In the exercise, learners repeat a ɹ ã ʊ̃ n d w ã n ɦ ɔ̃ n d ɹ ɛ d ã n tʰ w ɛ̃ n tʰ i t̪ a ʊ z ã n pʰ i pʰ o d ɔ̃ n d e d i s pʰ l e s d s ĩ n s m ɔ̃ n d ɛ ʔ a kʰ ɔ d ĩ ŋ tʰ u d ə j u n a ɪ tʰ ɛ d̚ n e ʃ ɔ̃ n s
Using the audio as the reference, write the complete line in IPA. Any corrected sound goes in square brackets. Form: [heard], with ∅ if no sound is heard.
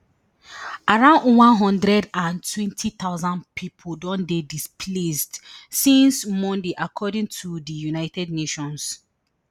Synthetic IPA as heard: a ɹ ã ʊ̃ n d w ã n ɦ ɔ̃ n d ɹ ɛ d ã n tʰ w ɛ̃ n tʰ i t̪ a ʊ z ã n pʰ i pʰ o d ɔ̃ n d e d i s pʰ l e s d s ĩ n s m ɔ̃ n d [e] ʔ a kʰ ɔ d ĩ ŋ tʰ u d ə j u n a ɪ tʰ ɛ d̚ n e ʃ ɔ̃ n s